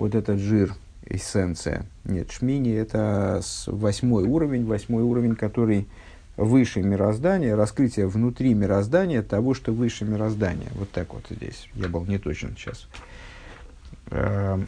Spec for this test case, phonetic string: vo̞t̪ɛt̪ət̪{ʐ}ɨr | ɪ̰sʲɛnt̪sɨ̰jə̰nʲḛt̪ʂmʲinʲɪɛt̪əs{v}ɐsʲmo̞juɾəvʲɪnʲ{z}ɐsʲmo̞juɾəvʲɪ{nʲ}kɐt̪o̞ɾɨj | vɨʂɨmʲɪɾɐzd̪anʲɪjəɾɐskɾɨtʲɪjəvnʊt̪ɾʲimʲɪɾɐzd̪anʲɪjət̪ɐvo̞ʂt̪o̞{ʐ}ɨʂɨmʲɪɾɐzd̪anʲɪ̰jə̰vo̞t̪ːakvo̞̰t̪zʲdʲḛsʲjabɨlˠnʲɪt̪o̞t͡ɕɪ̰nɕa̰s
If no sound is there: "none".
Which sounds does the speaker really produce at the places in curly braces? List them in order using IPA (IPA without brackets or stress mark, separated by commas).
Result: ʐ, v, v, nʲ, v